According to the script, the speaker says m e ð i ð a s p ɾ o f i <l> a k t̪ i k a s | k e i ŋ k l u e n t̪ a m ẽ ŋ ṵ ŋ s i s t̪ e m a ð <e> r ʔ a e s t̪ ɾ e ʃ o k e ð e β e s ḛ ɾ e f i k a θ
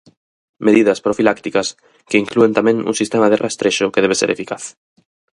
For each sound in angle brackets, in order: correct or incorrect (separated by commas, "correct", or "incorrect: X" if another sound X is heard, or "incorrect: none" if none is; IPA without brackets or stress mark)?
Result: correct, correct